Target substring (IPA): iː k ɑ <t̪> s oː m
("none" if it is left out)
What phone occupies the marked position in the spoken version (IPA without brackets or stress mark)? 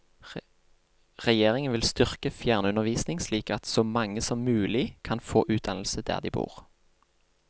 t̪